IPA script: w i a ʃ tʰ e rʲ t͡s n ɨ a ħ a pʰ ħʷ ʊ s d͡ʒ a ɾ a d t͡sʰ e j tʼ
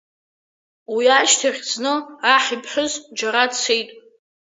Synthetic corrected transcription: w i a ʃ tʰ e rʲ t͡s n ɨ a ħ i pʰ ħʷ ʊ z d͡ʒ a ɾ a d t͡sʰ e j tʼ

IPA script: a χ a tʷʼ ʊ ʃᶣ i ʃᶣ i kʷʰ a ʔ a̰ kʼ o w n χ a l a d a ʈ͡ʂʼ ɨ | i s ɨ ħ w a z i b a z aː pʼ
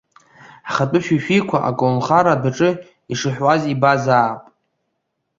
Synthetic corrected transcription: a χ a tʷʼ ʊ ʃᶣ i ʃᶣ i kʷʰ a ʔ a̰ kʼ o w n χ a ɾ a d a ʈ͡ʂʼ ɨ | i ʂ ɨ ħ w a z i b a z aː pʼ

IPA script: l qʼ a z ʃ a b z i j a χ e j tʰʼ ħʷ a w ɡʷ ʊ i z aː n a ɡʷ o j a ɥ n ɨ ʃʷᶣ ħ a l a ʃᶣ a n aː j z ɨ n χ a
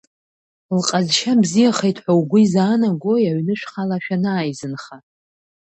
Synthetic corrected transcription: l qʼ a z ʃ a b z i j a χ e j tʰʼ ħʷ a w ɡʷ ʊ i z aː n a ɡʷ o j a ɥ n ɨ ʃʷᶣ χ a l a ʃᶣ a n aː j z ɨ n χ a

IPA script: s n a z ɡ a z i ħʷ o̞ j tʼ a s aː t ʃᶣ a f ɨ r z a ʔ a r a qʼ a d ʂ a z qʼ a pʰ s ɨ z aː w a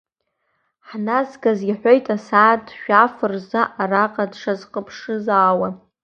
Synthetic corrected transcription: ħ n a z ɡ a z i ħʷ o̞ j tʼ a s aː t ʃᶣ a f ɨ r z a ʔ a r a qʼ a d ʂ a z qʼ ə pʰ ʂ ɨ z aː w a

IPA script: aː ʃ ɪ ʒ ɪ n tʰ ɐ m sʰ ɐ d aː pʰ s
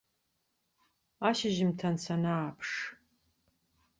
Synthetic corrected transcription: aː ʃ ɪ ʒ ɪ m tʰ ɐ n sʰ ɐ n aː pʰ ʂ

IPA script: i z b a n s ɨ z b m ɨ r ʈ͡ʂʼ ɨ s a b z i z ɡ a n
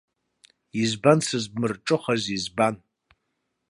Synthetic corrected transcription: i z b a n s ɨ z b m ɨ r ʈ͡ʂʼ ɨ χ a z i z b a n

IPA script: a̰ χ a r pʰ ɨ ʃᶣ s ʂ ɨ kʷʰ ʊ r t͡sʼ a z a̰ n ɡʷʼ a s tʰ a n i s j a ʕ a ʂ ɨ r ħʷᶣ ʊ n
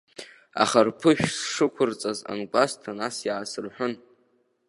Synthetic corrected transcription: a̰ χ a r pʰ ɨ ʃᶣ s ʂ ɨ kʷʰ ʊ r t͡sʼ a z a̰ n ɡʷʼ a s tʰ a n a s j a ʕ a s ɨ r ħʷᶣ ʊ n

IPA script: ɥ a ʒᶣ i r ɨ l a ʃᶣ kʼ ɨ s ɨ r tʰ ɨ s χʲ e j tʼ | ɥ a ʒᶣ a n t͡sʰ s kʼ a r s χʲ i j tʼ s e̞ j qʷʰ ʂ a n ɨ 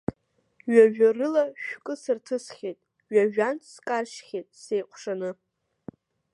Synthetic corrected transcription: ɥ a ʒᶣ a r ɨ l a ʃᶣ kʼ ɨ s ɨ r tʰ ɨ s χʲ e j tʼ | ɥ a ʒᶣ a n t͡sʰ s kʼ a r ʃ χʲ e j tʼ s e̞ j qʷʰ ʂ a n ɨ

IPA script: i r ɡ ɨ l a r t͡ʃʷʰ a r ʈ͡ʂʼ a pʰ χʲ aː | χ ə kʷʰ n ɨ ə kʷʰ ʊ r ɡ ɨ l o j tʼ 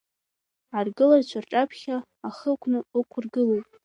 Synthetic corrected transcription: a r ɡ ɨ l a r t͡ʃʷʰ a r ʈ͡ʂʼ a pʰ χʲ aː | χ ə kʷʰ n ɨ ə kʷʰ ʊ r ɡ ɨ l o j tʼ

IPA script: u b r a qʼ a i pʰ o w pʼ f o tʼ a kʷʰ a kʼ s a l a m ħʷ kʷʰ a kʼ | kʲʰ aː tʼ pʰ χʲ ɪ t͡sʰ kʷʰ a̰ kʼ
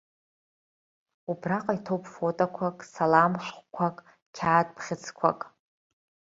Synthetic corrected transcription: u b r a qʼ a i tʰ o w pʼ f o tʼ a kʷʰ a kʼ s a l a m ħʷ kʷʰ a kʼ | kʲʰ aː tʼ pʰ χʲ ɪ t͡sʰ kʷʰ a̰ kʼ

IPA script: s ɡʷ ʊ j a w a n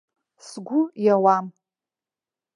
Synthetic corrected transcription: s ɡʷ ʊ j a w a m

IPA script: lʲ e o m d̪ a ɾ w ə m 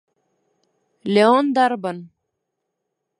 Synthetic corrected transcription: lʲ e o n d̪ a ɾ b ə n

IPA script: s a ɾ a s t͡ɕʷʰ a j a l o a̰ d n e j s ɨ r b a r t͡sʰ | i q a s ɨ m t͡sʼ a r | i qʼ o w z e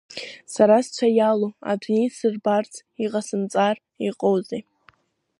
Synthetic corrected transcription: s a ɾ a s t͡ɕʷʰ a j a l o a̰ d n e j s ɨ r b a r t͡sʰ | i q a s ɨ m t͡sʼ a r | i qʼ o w z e

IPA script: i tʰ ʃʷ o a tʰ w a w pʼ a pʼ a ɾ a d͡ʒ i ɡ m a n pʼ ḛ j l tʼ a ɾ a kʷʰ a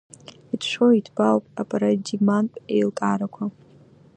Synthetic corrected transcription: i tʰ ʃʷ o i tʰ b a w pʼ a pʼ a ɾ a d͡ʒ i ɡ m a n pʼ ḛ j l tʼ a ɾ a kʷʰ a

